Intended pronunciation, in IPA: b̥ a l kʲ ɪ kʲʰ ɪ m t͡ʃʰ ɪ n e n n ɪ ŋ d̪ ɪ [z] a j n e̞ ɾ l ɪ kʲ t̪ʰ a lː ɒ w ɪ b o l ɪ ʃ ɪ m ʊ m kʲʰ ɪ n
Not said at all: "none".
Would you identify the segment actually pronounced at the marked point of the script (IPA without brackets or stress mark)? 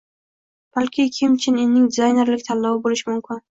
z